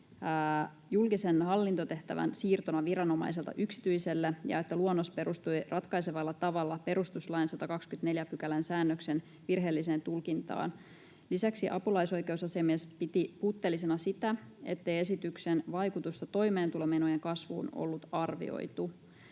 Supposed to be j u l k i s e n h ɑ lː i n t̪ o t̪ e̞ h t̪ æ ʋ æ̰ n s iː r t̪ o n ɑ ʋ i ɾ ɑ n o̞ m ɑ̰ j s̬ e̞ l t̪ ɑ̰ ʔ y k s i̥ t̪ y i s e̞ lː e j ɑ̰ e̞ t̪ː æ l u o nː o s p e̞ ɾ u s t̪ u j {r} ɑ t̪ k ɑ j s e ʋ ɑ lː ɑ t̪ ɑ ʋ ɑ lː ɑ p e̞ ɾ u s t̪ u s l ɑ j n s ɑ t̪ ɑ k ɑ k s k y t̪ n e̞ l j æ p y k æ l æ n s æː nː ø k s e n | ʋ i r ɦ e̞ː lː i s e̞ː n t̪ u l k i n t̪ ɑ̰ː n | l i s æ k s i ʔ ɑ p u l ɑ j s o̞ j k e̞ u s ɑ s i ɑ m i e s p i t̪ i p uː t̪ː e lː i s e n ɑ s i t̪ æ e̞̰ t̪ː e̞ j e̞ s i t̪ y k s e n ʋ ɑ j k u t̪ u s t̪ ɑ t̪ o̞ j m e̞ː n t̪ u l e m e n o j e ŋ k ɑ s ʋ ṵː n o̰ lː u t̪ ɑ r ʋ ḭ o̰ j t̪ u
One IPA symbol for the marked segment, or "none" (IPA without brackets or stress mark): r